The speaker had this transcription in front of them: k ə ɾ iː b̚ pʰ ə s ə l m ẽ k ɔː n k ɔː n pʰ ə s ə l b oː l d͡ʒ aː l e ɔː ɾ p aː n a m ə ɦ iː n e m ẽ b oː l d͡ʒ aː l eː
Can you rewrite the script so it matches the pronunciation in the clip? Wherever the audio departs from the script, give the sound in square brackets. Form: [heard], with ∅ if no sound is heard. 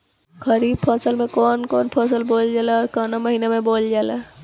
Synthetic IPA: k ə ɾ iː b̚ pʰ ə s ə l m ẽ k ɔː n k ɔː n pʰ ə s ə l b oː l d͡ʒ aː l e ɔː ɾ [k] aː n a m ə ɦ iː n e m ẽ b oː l d͡ʒ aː l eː